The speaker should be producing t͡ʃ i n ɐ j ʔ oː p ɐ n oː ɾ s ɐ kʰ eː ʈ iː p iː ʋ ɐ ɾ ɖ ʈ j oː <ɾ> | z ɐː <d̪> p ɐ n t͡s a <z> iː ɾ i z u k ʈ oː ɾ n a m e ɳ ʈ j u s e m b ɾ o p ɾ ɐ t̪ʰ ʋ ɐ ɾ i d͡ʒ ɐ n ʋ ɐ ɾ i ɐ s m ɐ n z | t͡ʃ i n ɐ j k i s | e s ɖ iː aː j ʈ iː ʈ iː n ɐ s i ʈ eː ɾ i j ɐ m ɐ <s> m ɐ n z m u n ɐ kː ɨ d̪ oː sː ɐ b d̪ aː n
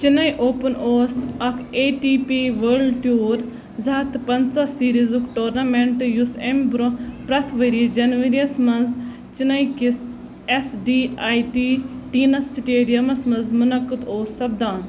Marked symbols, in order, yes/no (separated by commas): yes, no, no, yes